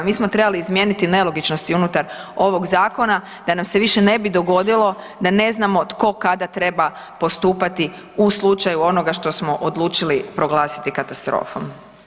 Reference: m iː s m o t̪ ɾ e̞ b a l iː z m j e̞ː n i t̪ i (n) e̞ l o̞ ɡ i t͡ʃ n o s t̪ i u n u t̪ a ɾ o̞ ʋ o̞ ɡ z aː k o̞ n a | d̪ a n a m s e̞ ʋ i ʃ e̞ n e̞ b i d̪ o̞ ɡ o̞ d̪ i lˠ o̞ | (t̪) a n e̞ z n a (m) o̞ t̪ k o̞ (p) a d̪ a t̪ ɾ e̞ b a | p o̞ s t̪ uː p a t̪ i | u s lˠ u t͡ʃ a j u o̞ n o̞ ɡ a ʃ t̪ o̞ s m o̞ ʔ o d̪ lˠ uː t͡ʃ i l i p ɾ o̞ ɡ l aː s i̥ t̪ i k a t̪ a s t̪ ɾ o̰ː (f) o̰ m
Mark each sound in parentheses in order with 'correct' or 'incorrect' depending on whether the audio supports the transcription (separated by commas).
correct, incorrect, correct, incorrect, correct